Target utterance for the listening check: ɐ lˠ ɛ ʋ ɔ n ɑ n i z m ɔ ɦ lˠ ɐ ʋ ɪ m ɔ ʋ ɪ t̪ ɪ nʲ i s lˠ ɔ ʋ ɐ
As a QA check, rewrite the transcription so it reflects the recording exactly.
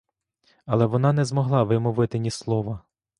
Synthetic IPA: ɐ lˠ ɛ ʋ ɔ n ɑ n ɛ z m ɔ ɦ lˠ ɑ ʋ ɪ m ɔ ʋ ɪ t̪ ɪ nʲ i s lˠ ɔ ʋ ɐ

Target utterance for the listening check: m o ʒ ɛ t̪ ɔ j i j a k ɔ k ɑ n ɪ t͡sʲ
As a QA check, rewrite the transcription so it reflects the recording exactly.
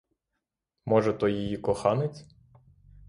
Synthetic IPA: m ɔ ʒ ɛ t̪ ɔ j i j i k ɔ x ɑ n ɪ t͡sʲ

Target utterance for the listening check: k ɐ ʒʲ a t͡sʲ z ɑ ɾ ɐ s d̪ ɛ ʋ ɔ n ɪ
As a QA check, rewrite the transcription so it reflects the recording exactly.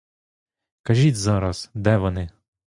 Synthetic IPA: k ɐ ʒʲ i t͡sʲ z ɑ ɾ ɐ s d̪ ɛ ʋ ɔ n ɪ

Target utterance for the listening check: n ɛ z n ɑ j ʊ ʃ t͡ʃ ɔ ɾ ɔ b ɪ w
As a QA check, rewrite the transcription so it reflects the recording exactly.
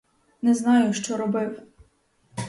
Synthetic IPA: n ɛ z n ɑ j ʊ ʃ t͡ʃ ɔ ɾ ɔ b ɪ w

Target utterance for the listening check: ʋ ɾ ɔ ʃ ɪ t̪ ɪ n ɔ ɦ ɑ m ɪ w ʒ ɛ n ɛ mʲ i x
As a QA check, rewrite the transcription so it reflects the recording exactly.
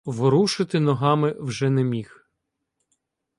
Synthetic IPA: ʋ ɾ u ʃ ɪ t̪ ɪ n ɔ ɦ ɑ m ɪ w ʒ ɛ n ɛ mʲ i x

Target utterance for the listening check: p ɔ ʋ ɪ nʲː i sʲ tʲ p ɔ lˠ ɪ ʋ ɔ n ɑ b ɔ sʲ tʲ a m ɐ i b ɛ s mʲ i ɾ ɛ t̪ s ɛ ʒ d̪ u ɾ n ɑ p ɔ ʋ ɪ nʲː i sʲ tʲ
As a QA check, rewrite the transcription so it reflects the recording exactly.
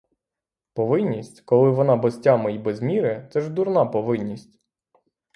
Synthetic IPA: p ɔ ʋ ɪ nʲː i sʲ tʲ k ɔ lˠ ɪ ʋ ɔ n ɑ b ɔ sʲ tʲ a m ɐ i b ɛ z mʲ i ɾ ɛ t̪ s ɛ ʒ d̪ u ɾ n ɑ p ɔ ʋ ɪ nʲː i sʲ tʲ

